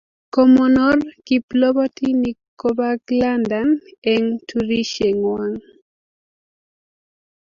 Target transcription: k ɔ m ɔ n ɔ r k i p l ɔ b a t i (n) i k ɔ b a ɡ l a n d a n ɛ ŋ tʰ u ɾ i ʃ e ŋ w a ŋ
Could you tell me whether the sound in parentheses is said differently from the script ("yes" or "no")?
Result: no